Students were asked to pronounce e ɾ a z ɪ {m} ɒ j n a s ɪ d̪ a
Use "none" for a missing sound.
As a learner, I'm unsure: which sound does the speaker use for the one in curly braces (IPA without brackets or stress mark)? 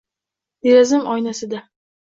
m